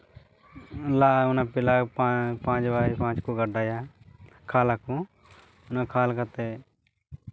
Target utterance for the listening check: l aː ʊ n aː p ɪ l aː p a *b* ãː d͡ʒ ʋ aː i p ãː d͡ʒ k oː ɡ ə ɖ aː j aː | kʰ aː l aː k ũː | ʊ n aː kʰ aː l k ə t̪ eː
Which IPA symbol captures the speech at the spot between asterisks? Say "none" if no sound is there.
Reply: p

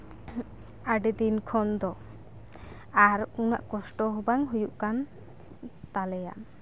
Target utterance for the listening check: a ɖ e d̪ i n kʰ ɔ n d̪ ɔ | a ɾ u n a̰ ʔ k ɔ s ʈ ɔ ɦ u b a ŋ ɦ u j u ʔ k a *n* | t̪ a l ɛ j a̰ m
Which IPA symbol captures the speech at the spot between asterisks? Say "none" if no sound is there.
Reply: n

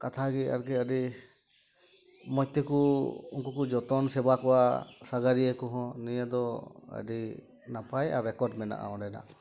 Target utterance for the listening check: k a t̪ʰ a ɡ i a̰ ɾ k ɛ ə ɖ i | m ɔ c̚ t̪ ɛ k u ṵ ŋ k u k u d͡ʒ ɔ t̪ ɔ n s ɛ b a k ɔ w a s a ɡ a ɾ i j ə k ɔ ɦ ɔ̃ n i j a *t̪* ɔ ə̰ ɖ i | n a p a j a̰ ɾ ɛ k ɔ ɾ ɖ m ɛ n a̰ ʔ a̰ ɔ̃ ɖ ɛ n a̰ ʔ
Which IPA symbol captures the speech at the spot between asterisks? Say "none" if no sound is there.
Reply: d̪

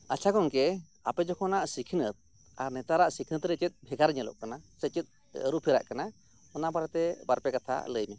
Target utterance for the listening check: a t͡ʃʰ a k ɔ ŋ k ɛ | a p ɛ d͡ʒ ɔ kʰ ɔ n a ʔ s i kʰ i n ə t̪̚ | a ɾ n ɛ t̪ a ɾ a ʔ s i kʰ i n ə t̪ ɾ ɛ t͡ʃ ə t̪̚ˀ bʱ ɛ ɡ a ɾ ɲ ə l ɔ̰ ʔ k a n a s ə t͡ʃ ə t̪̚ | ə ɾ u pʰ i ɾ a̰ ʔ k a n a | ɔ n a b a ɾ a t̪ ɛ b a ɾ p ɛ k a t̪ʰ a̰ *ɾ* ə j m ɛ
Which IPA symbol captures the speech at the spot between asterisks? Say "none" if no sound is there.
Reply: l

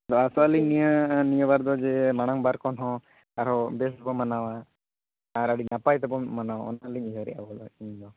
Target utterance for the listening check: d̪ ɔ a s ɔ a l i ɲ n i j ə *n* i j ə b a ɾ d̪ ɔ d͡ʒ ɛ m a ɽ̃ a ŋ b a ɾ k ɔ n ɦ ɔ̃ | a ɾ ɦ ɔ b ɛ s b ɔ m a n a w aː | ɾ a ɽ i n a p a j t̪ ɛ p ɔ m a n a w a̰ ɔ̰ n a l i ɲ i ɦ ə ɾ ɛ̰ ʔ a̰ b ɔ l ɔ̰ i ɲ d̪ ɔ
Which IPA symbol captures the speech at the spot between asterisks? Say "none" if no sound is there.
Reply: n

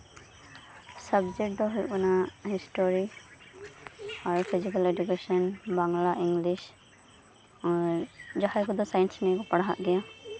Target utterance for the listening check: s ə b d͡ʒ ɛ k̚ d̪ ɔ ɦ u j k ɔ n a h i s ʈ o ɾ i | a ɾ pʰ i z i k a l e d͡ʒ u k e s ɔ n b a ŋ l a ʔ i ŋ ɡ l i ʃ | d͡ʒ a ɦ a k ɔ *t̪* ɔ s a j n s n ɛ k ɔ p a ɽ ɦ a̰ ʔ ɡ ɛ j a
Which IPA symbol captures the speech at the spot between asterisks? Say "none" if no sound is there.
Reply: d̪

